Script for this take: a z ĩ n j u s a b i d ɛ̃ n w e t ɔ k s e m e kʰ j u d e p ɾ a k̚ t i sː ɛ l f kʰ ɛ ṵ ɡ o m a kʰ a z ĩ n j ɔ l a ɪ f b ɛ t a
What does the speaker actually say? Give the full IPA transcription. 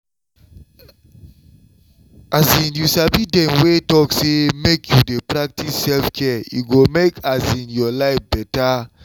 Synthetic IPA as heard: a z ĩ n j u s a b i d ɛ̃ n w e t ɔ k s e m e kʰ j u d e p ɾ a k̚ t i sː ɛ l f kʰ ɛ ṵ ɡ o m e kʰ a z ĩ n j ɔ l a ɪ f b ɛ t a

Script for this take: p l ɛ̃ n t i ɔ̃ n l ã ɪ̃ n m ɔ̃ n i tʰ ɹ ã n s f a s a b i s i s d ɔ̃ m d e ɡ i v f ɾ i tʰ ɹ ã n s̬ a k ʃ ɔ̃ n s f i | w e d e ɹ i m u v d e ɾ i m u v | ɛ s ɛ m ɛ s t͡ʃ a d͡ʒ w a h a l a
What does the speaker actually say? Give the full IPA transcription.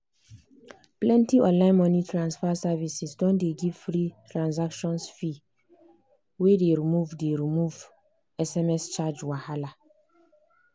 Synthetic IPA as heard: p l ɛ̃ n t i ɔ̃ n l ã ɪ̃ n m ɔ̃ n i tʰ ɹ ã n s f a s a v i s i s d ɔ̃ n d e ɡ i v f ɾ i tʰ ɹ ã n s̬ a k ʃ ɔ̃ n s f i | w e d e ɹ i m u v d e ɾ i m u v | ɛ s ɛ m ɛ s t͡ʃ a d͡ʒ w a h a l a

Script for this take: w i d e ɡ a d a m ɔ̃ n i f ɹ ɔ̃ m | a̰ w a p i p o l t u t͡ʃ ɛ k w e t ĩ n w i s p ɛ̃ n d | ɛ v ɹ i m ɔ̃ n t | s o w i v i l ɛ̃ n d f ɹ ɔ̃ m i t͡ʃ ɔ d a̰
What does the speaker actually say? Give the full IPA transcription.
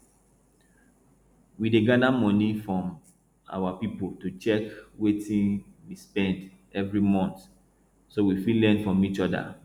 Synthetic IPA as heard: w i d e ɡ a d a m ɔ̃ n i f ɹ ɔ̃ m | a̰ w a p i p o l t u t͡ʃ ɛ k w e t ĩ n w i s p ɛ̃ n d | ɛ v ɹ i m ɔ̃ n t | s o w i f i l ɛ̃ n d f ɹ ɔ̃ m i t͡ʃ ɔ d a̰

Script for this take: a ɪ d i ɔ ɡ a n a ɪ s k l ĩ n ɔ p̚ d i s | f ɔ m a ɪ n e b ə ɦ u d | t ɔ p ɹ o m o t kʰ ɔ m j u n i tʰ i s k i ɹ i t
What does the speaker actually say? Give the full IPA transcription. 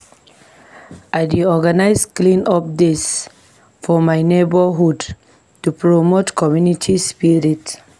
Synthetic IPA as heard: a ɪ d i ɔ ɡ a n a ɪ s k l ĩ n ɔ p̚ d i s | f ɔ m a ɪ n e b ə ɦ u d | t u p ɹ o m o t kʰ ɔ m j u n i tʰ i s p i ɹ i t

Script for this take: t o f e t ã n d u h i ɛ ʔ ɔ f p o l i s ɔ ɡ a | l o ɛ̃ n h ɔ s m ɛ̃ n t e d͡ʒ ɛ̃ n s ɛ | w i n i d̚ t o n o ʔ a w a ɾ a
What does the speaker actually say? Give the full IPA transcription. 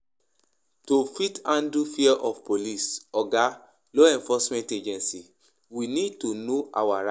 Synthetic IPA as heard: t o f i t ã n d u f i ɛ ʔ ɔ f p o l i s ɔ ɡ a | l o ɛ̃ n f ɔ s m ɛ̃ n t e d͡ʒ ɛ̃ n s i | w i n i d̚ t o n o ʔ a w a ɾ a

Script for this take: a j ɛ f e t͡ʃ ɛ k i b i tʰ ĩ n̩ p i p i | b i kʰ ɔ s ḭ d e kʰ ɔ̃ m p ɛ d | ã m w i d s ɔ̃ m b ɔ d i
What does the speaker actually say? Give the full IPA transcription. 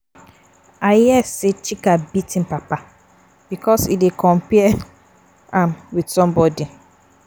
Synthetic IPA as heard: a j ɛ s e t͡ʃ i k a b i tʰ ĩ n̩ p a p a | b i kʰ ɔ s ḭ d e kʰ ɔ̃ m p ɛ | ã m w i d s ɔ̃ m b ɔ d i

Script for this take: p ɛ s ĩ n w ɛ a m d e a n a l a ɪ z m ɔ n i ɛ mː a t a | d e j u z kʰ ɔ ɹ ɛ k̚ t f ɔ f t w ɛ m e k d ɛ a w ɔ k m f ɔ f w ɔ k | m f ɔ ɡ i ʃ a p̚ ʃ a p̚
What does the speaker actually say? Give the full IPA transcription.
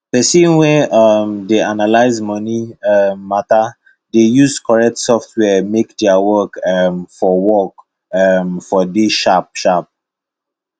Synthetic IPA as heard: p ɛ s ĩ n w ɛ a m d e a n a l a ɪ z m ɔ n i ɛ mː a t a | d e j u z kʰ ɔ ɹ ɛ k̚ t s ɔ f t w ɛ m e k d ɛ a w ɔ k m f ɔ w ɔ k | m f ɔ d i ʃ a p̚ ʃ a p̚

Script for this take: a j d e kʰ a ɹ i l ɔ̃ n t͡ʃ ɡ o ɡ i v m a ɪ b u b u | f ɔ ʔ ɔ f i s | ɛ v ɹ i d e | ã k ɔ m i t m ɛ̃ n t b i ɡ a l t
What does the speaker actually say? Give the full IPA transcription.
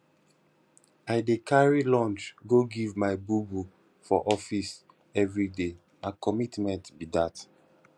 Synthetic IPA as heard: a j d e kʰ a ɹ i l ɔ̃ n t͡ʃ ɡ o ɡ i v m a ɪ b u b u | f ɔ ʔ ɔ f i s | ɛ v ɹ i d e | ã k ɔ m i t m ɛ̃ n t b i d a t

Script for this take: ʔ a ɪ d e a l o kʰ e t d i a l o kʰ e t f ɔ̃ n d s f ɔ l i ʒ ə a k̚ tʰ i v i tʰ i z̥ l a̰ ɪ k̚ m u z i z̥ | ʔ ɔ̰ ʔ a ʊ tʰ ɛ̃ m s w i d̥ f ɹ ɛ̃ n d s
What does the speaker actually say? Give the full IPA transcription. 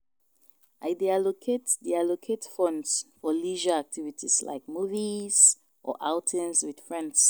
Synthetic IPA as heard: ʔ a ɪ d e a l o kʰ e t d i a l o kʰ e t f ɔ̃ n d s f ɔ l i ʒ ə a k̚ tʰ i v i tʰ i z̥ l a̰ ɪ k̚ m u v i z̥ | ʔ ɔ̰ ʔ a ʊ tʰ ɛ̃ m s w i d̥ f ɹ ɛ̃ n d s

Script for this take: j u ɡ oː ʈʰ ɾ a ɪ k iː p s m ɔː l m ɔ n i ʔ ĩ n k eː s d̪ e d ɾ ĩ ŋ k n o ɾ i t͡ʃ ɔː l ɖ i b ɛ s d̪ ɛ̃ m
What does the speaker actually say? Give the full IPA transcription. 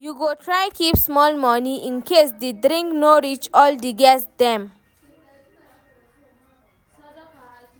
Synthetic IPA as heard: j u ɡ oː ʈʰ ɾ a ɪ k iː p s m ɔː l m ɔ n i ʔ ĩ n k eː s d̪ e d ɾ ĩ ŋ k n o ɾ i t͡ʃ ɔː l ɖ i ɡ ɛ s d̪ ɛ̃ m

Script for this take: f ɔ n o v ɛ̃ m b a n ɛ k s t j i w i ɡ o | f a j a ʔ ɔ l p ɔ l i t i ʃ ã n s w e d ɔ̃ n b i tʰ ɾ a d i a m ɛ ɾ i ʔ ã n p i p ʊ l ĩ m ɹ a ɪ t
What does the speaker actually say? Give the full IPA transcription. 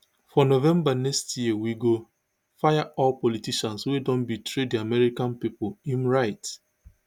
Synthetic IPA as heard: f ɔ n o v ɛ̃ m b a n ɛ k s t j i w i ɡ o | f a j a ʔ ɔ l p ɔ l i t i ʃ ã n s w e d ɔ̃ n b i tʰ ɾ e d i a m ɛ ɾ i k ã n p i p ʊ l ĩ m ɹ a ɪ t

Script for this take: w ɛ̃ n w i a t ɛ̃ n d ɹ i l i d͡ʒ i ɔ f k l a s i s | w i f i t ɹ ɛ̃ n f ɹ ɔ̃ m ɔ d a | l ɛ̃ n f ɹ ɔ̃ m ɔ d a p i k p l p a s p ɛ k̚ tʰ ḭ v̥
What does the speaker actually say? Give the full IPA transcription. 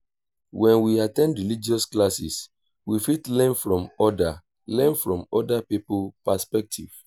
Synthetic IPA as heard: w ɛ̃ n w i a t ɛ̃ n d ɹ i l i d͡ʒ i ɔ s k l a s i s | w i f i t l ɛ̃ n f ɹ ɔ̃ m ɔ d a | l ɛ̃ n f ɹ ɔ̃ m ɔ d a p i p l p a s p ɛ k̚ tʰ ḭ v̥

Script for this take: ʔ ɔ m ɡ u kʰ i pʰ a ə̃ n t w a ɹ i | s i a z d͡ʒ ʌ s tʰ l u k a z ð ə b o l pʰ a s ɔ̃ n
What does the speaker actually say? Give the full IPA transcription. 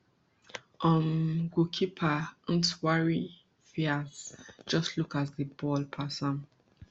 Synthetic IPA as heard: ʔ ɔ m ɡ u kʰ i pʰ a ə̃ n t w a ɹ i | f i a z d͡ʒ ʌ s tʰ l u k a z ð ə b ɔ l pʰ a s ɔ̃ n

